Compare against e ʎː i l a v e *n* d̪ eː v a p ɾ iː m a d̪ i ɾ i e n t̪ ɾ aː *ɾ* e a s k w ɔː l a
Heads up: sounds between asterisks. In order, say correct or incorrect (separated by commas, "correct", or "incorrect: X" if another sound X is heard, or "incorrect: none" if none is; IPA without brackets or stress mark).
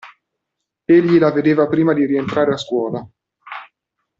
incorrect: none, correct